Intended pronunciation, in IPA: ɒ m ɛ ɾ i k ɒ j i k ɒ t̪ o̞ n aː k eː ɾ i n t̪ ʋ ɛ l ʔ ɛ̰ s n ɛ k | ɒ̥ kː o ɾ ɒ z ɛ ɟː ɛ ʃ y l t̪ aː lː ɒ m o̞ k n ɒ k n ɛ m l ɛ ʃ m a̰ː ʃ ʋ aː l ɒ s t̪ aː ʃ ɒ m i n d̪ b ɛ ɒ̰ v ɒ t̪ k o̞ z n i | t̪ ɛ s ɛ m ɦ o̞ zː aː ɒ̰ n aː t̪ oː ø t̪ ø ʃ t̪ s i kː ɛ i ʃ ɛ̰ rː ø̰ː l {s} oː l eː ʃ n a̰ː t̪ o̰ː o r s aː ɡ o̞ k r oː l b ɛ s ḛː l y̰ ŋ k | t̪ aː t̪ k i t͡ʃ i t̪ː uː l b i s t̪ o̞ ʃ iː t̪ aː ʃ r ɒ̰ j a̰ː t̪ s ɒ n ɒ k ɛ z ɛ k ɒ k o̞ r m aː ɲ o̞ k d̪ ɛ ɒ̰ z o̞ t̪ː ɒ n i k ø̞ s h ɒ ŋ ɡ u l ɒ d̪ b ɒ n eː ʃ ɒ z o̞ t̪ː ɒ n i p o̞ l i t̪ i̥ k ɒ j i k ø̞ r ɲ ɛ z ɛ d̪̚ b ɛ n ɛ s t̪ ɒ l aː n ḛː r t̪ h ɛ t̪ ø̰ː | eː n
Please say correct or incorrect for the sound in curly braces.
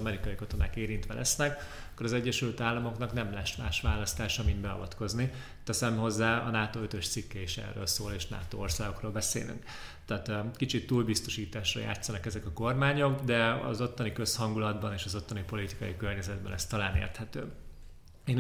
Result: correct